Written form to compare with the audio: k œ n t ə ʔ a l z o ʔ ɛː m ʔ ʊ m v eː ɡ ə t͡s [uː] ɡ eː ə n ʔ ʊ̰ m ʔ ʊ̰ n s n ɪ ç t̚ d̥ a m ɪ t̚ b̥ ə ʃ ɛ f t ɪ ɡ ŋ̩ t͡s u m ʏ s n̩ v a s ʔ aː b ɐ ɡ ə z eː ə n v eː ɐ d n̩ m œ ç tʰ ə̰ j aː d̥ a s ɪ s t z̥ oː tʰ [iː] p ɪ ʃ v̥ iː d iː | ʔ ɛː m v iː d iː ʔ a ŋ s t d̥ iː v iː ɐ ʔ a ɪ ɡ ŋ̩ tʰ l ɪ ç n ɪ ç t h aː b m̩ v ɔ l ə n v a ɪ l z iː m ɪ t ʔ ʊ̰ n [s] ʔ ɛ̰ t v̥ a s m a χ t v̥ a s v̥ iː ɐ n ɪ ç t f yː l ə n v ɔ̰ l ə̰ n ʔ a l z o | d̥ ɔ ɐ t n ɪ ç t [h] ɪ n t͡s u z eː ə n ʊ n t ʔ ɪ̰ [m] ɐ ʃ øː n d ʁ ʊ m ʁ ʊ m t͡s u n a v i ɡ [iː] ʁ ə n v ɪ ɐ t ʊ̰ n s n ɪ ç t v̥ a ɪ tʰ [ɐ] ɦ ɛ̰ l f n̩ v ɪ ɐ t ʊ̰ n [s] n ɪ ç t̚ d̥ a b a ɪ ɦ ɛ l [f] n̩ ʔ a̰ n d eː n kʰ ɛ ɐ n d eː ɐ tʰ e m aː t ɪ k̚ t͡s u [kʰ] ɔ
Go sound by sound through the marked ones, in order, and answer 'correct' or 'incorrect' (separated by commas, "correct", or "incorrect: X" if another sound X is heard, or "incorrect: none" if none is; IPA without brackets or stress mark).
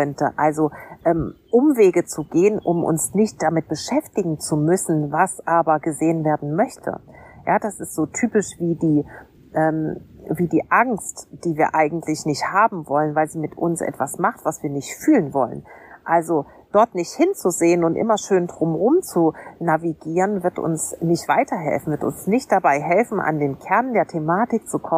incorrect: u, incorrect: yː, correct, correct, correct, correct, correct, correct, correct, correct